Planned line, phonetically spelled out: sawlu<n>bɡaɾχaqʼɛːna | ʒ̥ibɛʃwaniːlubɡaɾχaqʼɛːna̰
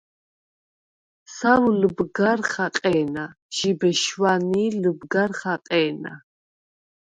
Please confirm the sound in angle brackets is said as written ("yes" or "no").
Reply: no